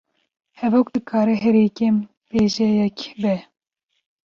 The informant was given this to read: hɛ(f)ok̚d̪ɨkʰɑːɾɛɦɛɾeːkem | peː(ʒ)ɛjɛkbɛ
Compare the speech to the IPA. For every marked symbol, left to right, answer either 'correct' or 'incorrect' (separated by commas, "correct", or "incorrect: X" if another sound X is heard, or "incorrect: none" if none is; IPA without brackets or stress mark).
incorrect: v, correct